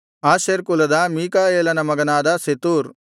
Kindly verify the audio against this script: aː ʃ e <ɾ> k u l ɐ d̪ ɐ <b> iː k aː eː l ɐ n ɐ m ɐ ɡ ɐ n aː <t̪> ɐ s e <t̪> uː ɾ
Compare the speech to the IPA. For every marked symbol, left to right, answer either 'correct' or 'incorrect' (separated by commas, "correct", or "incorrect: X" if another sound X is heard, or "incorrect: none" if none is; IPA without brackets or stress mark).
correct, incorrect: m, incorrect: d̪, correct